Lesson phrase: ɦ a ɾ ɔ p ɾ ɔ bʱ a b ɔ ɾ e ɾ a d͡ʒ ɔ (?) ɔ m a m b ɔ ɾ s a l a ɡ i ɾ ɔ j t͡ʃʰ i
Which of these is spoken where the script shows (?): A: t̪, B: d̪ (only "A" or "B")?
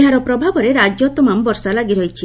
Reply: A